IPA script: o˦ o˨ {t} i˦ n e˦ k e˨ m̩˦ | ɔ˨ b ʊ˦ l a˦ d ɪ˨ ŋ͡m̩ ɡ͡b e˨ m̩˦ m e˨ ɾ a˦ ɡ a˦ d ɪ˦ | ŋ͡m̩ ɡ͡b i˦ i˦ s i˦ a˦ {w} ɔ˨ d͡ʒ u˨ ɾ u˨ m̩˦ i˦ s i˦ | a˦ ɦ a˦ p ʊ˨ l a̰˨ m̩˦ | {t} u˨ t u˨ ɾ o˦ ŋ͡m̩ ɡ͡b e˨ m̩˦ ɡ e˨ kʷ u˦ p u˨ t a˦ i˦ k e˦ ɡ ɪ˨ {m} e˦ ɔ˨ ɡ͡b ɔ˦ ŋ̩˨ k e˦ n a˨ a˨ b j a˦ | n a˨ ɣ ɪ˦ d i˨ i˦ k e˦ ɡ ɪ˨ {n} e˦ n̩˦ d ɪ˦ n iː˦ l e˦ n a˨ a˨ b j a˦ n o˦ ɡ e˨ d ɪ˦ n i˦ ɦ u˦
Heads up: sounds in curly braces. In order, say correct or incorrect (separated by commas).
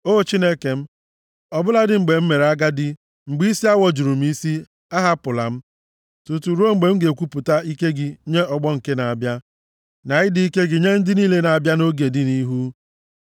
incorrect, correct, correct, incorrect, incorrect